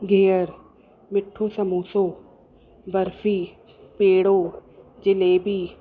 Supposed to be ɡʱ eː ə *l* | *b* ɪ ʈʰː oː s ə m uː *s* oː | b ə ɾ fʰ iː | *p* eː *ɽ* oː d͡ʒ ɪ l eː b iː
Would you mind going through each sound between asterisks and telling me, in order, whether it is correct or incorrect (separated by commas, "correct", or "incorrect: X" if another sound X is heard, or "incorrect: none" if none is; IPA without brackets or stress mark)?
incorrect: ɾ, incorrect: m, correct, correct, correct